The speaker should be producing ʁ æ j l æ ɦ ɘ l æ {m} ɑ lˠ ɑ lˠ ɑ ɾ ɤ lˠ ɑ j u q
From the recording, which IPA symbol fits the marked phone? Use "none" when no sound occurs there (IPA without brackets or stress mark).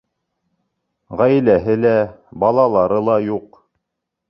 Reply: b